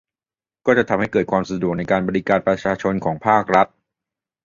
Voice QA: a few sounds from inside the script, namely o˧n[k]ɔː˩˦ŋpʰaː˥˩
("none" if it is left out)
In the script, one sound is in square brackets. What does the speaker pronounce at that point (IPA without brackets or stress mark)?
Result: kʰ